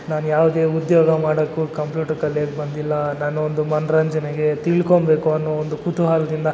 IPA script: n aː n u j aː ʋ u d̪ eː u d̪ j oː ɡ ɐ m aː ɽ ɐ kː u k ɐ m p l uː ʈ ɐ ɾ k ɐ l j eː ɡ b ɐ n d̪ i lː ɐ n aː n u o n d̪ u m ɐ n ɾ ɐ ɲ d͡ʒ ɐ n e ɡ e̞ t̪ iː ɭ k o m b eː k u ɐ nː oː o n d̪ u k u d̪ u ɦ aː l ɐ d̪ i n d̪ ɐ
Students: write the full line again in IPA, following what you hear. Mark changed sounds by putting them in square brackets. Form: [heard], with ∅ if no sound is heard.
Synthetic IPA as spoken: n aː n u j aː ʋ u d̪ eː u d̪ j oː ɡ ɐ m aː ɽ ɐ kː u k ɐ m p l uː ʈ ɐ ɾ k ɐ l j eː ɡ b ɐ n d̪ i lː ɐ n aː n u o n d̪ u m ɐ n ɾ ɐ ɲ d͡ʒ ɐ n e ɡ e̞ t̪ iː ɭ k o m b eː k u ɐ nː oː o n d̪ u k u [t̪] u ɦ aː l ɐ d̪ i n d̪ ɐ